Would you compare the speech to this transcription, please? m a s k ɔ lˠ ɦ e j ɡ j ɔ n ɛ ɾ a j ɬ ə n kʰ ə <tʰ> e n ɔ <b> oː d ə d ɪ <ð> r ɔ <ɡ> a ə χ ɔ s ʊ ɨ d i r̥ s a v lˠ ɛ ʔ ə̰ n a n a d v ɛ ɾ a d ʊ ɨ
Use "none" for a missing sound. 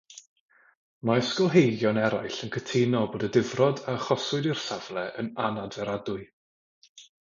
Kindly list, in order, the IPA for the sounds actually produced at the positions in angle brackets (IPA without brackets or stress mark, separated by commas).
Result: tʰ, b, v, d